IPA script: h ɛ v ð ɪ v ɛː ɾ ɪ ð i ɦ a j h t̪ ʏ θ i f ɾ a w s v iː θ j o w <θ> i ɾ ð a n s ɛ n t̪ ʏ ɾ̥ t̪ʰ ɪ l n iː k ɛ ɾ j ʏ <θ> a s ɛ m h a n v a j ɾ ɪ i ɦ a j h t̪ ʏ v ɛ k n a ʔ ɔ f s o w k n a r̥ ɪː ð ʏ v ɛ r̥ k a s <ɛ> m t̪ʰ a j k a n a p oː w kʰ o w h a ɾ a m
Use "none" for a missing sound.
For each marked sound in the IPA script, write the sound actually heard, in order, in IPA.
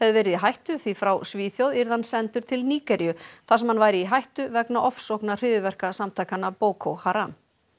ð, θ, a

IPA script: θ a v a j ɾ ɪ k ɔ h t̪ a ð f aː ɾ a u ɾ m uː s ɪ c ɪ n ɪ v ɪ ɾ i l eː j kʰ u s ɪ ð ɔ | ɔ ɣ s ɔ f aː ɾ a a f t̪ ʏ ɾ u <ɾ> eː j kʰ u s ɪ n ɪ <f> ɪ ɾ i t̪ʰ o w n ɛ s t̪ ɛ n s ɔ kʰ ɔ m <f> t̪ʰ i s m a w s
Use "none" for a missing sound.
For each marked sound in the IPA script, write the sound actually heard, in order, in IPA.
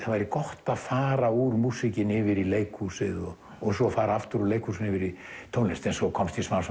l, v, s

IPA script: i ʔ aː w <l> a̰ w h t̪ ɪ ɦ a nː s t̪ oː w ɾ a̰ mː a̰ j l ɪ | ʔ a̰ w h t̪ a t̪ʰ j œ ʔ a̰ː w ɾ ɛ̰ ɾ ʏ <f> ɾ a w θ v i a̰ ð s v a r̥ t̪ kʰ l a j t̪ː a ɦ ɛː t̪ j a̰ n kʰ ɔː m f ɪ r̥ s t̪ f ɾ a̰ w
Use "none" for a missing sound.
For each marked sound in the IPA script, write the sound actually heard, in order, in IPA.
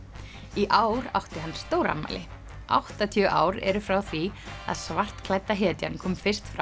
ɾ, f

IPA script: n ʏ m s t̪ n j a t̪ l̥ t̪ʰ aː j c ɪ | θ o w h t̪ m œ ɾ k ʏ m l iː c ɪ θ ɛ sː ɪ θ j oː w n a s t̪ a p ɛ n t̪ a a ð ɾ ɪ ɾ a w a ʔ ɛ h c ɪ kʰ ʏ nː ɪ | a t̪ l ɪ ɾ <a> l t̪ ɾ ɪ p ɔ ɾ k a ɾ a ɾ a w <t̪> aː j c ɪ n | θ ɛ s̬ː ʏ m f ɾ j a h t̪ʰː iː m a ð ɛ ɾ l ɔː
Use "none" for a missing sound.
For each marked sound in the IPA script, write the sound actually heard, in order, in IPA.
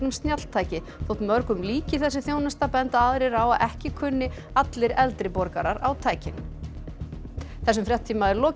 ɛ, t̪ʰ

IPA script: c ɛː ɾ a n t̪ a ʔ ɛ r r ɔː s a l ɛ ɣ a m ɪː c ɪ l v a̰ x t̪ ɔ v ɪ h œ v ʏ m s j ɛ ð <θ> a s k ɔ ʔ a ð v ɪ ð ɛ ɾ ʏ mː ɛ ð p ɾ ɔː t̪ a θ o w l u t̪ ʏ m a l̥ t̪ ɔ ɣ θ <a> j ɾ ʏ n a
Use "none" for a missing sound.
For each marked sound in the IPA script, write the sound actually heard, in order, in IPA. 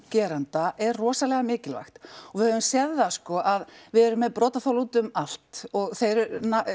ð, e

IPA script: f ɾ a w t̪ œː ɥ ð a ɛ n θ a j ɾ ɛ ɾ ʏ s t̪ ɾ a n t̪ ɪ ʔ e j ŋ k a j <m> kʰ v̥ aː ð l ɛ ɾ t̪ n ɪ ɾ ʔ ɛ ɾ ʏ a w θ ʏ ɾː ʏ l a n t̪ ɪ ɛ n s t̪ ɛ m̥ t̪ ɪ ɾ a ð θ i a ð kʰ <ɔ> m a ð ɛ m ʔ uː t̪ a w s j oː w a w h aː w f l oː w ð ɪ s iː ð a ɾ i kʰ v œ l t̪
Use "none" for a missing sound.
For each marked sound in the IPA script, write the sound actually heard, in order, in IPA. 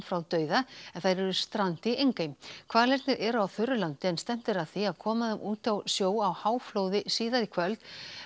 m, ɔː

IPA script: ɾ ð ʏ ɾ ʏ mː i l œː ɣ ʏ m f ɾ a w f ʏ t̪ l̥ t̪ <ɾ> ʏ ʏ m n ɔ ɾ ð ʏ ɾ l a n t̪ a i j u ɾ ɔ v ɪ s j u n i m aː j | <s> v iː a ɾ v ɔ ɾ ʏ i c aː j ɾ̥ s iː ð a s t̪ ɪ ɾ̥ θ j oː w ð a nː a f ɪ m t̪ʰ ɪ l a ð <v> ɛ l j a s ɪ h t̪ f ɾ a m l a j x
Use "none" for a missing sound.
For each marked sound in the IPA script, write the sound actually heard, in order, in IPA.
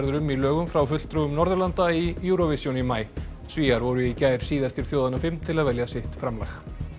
ɾ, s, v

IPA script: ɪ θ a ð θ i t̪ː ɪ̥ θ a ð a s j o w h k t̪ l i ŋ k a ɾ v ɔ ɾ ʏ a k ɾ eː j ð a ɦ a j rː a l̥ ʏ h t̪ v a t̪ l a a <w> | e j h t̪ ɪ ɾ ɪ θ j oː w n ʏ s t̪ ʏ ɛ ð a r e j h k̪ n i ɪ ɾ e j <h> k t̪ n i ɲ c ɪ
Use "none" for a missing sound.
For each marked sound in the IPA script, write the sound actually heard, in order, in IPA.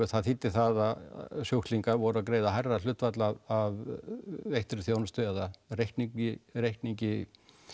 v, h

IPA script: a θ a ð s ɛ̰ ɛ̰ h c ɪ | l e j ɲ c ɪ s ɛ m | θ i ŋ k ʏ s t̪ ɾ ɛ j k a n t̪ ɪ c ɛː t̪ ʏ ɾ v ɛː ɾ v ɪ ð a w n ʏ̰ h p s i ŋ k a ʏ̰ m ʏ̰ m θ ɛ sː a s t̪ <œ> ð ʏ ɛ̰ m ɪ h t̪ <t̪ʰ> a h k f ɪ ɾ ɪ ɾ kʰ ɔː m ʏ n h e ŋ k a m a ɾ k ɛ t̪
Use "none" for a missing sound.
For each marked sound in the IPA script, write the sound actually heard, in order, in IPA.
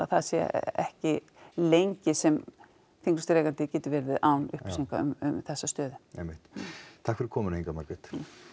œː, t̪ʰ

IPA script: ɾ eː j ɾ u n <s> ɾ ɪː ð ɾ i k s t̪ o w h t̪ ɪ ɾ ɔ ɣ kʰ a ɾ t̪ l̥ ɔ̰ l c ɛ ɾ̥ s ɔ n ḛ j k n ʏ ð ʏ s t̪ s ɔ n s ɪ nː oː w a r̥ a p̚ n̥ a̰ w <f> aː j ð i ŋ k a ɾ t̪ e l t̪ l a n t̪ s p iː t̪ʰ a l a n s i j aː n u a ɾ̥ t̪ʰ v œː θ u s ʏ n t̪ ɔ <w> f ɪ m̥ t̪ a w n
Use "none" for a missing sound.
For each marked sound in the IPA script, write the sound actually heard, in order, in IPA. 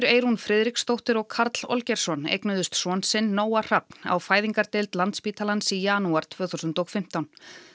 f, f, ɣ

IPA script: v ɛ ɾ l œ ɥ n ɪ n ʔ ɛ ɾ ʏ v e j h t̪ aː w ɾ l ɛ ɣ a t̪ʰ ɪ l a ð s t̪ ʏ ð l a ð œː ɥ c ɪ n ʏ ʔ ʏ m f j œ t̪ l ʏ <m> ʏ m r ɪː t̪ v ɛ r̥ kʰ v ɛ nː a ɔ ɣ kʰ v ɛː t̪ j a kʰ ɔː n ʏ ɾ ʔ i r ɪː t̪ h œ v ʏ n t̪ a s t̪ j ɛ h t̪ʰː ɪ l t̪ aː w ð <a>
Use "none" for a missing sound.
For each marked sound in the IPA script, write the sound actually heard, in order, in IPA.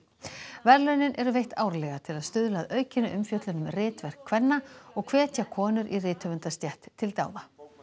n, a

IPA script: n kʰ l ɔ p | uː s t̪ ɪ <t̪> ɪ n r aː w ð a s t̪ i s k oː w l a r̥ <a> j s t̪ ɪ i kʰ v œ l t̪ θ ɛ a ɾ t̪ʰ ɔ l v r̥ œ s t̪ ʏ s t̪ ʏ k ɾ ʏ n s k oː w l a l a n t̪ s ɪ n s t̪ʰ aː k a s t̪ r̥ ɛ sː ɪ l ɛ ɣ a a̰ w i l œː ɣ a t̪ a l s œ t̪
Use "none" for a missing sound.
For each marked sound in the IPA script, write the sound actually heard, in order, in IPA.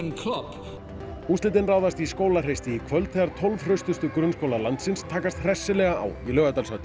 t̪, e

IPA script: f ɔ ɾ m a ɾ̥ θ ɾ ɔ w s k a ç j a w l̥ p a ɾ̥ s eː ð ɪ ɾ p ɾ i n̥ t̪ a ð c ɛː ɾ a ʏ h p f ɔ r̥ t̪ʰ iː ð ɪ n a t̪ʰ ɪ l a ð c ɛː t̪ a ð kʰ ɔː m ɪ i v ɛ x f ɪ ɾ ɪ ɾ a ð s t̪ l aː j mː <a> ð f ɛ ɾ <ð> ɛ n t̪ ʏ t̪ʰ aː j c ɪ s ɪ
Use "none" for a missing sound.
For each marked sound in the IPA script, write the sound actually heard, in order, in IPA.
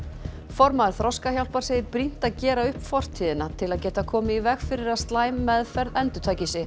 ɛ, ð

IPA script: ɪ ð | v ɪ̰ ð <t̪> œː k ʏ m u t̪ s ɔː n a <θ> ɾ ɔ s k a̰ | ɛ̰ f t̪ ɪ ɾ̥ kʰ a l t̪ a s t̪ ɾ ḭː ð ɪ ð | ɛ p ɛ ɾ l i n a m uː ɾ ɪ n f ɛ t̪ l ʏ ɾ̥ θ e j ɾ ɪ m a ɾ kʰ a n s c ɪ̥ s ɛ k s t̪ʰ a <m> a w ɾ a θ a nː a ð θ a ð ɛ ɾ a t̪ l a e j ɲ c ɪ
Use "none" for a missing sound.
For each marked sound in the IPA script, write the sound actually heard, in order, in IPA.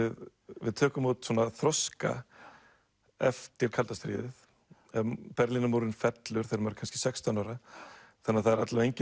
t̪ʰ, θ, n

